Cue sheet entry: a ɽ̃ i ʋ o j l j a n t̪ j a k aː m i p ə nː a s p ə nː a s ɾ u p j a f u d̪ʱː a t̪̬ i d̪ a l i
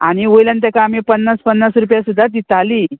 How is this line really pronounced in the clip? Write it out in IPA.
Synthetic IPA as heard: a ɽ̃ i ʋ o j l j a n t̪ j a k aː m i p ə nː a s p ə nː a s ɾ u p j a s u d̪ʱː a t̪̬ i t̪ a l i

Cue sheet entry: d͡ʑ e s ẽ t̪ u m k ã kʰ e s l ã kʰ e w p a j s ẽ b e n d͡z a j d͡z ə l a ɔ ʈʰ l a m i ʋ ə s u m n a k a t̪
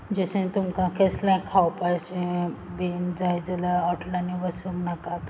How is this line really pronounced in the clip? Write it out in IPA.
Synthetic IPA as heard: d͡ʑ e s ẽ t̪ u m k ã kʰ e s l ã kʰ a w p a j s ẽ b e n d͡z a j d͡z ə l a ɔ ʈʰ l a n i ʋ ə s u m n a k a t̪

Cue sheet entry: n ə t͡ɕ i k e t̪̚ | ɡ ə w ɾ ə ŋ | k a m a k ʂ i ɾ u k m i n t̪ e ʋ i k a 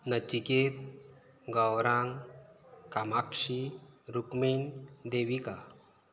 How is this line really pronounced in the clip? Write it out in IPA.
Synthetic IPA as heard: n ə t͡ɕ i k e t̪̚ | ɡ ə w ɾ a ŋ | k a m a k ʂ i ɾ u k m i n d̪ e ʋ i k a

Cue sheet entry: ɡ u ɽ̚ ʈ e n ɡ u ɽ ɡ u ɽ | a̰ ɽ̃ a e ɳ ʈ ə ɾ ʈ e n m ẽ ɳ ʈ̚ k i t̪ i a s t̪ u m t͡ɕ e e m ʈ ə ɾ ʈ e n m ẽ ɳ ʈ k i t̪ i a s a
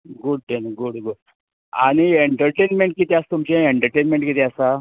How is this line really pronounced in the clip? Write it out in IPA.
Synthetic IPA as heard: ɡ u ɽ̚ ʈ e n ɡ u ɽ ɡ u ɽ | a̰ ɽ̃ i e ɳ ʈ ə ɾ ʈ e n m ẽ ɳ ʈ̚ k i t̪ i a s t̪ u m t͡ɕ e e ɳ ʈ ə ɾ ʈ e n m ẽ ɳ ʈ k i t̪ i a s a

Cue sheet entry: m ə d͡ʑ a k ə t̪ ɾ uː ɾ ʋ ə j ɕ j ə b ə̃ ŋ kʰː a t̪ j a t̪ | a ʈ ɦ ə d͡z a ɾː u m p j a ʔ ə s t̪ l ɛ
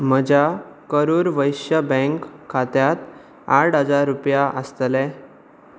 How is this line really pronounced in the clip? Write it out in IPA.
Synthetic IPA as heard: m ə d͡ʑ a k ə ɾ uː ɾ ʋ ə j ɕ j ə b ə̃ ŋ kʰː a t̪ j a t̪ | a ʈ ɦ ə d͡z a ɾː u p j a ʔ ə s t̪ l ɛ

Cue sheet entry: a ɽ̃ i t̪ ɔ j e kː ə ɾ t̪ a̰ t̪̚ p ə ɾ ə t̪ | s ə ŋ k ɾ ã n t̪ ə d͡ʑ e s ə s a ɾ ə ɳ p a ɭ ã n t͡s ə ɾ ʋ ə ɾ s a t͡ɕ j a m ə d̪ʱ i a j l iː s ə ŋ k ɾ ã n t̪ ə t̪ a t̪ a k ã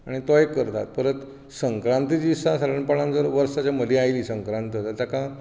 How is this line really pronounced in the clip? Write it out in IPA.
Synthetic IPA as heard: a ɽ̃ i t̪ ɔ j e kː ə ɾ t̪ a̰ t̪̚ p ə ɾ ə t̪ | s ə ŋ k ɾ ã n t̪ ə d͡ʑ i s a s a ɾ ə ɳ p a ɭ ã n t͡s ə ɾ ʋ ə ɾ s a t͡ɕ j a m ə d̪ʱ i a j l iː s ə ŋ k ɾ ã n t̪ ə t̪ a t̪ a k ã

